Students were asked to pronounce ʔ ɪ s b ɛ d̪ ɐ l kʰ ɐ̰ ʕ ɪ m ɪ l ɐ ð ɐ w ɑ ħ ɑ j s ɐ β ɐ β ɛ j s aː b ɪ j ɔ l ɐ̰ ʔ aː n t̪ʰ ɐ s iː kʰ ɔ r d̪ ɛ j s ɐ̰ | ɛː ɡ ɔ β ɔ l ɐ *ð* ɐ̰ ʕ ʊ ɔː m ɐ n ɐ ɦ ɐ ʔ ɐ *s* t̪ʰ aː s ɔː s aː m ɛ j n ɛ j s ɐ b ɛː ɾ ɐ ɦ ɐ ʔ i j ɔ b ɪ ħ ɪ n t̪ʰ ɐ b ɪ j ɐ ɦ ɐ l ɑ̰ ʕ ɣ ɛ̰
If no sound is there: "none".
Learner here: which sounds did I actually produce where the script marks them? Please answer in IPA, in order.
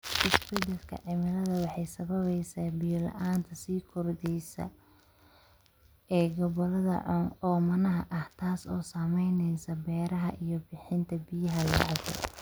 ð, h

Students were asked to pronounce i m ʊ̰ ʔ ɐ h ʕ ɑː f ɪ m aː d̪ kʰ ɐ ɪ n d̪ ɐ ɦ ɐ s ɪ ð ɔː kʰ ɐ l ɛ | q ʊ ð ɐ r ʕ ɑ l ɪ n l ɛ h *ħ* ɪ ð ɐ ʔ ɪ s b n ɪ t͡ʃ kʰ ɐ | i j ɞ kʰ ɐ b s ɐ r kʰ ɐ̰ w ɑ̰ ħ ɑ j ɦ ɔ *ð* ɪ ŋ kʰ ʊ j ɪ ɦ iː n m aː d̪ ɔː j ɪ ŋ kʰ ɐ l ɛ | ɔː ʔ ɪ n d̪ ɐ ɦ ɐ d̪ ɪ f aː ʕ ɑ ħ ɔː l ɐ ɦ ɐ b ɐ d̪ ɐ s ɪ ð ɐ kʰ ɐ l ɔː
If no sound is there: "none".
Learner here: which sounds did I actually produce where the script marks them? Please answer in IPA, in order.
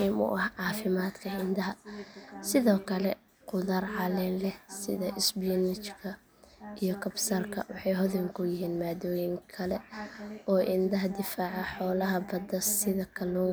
s, ð

